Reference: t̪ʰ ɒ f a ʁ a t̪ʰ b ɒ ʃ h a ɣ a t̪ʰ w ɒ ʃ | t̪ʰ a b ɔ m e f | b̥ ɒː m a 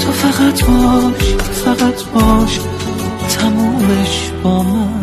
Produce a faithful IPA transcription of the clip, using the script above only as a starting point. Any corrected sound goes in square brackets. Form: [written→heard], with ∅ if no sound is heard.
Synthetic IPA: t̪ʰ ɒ f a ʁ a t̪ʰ b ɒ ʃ [h→f] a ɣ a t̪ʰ [w→b] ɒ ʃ | t̪ʰ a [b→m] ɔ m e [f→ʃ] | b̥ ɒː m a